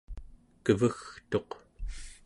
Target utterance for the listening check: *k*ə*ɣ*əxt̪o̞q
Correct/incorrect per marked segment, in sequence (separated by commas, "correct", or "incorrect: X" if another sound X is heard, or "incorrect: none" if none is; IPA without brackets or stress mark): correct, incorrect: v